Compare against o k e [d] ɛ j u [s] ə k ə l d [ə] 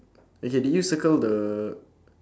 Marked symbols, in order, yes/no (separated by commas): yes, yes, yes